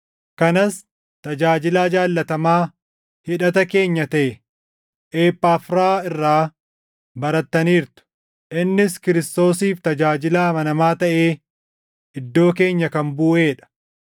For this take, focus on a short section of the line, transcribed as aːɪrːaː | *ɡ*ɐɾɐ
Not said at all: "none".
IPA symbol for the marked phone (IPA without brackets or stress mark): b